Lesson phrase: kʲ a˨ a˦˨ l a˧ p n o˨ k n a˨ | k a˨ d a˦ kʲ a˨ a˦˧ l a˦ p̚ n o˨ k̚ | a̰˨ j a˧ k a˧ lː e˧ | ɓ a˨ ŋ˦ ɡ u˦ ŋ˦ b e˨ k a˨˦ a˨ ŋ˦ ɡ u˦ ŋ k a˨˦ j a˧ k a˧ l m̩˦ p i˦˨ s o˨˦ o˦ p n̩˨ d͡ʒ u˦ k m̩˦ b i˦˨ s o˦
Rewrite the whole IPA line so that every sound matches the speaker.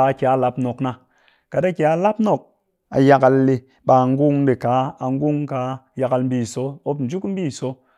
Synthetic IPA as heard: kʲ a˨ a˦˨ l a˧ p n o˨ k n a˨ | k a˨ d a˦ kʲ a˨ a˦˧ l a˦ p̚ n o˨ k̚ | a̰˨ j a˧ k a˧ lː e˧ | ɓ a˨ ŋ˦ ɡ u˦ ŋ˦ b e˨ k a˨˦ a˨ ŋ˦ ɡ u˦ ŋ k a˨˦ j a˧ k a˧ l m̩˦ b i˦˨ s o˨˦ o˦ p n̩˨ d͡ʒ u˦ k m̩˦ b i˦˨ s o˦